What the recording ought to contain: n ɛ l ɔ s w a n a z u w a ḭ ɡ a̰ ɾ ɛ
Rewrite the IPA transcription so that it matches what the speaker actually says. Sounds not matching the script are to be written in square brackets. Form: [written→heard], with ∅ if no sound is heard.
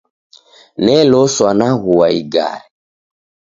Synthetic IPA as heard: n ɛ l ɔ s w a n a [z→ɣ] u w a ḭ ɡ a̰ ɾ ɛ